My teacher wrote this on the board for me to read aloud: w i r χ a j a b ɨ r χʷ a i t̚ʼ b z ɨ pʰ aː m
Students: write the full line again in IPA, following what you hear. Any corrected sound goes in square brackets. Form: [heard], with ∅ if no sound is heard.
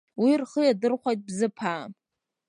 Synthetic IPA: w i r χ [ə] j a [d] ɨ r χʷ a [j] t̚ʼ b z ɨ pʰ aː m